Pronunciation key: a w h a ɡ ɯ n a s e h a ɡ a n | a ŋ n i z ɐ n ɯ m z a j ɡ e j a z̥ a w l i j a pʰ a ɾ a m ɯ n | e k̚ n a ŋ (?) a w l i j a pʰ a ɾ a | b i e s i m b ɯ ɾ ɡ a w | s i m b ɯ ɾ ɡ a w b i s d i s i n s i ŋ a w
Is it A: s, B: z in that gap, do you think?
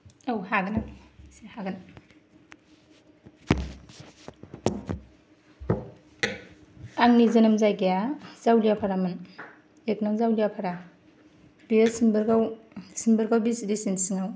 B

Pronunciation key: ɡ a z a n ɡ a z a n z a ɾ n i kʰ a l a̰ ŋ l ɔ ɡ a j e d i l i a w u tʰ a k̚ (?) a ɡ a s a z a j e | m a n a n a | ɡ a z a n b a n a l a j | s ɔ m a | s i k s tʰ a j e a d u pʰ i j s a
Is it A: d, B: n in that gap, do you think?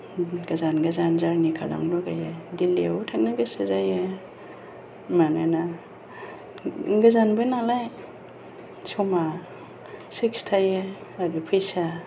B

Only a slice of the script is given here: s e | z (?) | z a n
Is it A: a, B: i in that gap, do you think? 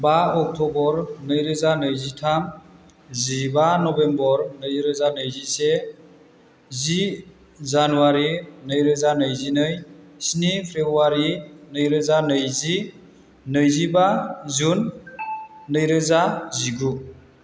B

